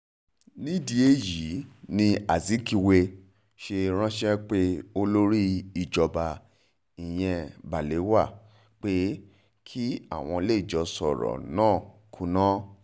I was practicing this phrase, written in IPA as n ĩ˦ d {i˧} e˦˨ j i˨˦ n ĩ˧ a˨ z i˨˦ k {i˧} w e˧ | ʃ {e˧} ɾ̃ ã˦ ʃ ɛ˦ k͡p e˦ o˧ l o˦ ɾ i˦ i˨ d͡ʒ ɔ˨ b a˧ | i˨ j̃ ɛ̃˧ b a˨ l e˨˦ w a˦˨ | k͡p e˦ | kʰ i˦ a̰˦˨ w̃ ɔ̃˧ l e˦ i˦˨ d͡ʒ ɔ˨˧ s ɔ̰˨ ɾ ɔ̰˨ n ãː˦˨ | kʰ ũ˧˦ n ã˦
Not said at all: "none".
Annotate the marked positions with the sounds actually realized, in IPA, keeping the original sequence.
i˧, i˧, e˧

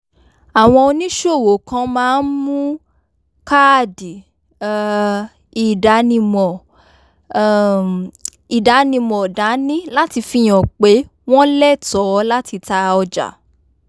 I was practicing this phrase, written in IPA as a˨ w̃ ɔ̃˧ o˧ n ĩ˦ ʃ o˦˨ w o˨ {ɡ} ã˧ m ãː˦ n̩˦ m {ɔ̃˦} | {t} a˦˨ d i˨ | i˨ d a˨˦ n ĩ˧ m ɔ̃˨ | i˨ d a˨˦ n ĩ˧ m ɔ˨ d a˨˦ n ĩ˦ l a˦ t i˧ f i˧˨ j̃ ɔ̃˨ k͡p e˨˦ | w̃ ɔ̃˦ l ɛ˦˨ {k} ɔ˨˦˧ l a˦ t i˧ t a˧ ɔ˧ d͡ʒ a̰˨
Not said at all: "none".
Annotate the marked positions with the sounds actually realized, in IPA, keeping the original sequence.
k, ũ˦, k, t

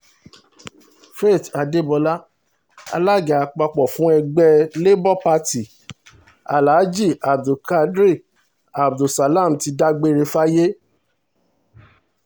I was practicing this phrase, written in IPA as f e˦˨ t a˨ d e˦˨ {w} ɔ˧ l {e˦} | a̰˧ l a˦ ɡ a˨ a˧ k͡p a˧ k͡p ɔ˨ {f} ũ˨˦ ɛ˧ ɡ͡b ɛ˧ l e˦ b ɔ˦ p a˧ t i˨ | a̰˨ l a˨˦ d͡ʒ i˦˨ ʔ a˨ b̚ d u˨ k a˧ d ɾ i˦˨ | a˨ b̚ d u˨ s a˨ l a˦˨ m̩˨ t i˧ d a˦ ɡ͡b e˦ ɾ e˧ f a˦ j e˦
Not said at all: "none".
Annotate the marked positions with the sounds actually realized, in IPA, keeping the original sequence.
b, a˦, f

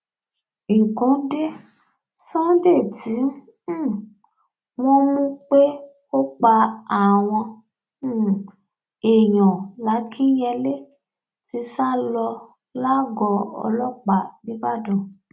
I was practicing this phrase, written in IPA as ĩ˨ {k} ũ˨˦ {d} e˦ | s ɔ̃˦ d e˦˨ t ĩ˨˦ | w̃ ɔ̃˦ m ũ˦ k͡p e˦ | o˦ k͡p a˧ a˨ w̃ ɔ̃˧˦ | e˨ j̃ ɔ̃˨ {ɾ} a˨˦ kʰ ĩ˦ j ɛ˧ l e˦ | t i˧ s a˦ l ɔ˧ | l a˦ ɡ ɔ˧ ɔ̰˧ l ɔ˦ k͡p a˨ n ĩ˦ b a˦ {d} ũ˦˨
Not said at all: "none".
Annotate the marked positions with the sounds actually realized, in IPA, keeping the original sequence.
k, d, l, d

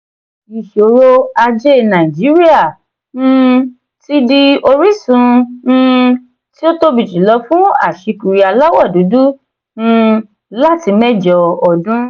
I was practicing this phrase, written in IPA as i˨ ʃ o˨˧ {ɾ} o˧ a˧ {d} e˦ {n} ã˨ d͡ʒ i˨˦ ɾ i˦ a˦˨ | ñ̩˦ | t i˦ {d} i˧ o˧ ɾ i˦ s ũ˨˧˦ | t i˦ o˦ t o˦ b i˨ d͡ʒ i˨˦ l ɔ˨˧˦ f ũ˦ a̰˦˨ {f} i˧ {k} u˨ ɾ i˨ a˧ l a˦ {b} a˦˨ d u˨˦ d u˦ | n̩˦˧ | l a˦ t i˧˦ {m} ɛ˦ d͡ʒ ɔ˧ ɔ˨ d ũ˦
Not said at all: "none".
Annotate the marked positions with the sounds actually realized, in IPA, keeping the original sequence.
ɾ, d͡ʒ, n, d, ʃ, k, w, m

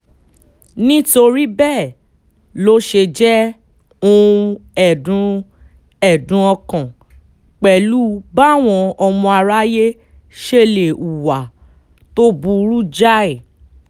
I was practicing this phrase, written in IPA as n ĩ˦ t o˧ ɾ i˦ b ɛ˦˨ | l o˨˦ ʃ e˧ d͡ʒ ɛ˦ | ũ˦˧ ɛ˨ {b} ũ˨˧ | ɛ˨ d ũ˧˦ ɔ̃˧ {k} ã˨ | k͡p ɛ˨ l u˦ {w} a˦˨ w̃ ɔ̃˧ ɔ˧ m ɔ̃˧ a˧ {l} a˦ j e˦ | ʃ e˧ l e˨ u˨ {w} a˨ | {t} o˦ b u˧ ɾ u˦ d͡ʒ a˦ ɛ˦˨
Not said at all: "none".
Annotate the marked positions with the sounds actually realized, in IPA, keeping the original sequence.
d, k, b, ɾ, w, t

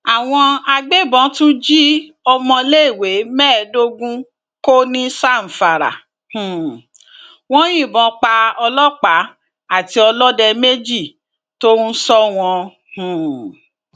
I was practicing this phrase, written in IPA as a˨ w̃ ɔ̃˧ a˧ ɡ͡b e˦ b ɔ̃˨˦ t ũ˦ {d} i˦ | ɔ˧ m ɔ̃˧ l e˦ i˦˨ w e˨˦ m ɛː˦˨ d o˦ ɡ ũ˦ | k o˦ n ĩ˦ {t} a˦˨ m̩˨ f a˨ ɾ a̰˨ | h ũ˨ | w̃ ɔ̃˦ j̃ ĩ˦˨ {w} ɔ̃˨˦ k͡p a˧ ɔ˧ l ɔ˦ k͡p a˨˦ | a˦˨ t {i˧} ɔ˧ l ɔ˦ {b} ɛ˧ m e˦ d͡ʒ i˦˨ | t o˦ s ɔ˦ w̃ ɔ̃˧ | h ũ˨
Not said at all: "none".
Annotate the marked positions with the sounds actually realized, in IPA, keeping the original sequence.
d͡ʒ, s, b, i˧, d

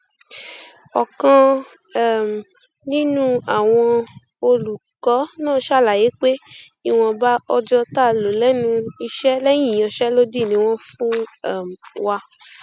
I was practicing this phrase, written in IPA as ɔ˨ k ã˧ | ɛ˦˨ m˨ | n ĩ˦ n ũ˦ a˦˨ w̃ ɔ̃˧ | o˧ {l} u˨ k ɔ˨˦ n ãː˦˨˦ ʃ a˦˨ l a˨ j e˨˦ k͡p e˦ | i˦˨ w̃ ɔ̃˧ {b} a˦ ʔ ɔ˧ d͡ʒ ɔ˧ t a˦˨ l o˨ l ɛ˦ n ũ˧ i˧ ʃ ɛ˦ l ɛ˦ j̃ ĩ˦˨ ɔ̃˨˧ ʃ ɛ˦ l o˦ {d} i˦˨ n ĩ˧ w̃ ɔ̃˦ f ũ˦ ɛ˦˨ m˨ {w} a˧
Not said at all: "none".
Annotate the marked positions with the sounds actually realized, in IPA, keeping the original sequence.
l, b, d, w

